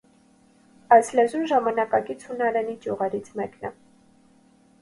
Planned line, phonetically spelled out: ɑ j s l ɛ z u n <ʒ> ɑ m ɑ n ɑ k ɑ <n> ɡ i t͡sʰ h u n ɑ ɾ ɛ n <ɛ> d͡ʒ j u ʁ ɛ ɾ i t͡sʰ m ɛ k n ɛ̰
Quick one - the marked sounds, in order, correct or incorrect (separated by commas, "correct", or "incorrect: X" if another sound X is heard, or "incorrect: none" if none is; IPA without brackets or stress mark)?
correct, incorrect: none, incorrect: i